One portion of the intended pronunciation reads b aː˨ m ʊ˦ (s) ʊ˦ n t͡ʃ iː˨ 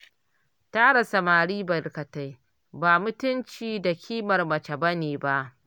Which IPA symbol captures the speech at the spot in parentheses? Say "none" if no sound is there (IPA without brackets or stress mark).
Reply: t